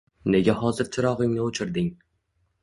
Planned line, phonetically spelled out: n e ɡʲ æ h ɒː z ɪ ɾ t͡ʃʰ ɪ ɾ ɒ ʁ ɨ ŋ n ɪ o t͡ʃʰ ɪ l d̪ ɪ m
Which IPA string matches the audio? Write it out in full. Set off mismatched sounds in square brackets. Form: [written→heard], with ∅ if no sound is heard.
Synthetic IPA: n e ɡʲ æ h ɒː z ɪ ɾ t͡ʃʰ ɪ ɾ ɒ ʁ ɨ ŋ n ɪ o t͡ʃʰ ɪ [l→ɾ] d̪ ɪ [m→ŋ]